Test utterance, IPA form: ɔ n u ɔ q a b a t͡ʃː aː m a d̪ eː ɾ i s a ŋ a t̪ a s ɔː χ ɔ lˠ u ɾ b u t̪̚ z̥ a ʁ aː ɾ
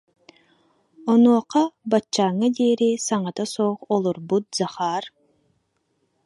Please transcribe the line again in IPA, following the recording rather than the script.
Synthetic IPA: ɔ n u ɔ q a b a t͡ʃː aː ŋ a d̪ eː ɾ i s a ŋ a t̪ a s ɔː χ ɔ lˠ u ɾ b u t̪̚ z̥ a χ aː ɾ